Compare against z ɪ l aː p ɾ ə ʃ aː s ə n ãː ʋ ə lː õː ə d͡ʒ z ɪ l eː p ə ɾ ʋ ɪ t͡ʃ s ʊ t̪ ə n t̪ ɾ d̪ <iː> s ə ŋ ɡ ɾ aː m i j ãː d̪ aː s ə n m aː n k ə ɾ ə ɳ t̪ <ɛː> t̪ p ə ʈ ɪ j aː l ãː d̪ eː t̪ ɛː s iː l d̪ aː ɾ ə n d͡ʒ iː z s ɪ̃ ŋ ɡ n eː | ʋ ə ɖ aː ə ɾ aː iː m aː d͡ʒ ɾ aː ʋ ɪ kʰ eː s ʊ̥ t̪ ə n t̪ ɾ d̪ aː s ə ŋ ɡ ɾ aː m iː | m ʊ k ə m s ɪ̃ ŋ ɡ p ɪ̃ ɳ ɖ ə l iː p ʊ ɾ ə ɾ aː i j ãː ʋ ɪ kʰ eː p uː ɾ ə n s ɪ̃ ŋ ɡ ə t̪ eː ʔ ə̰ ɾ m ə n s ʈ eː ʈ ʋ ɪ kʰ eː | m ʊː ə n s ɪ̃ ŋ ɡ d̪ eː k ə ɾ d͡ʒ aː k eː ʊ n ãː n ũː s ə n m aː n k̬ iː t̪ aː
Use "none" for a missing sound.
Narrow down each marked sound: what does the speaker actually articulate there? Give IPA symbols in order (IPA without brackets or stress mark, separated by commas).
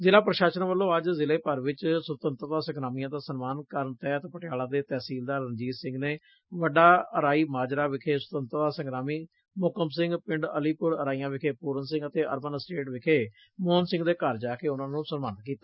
aː, ɛː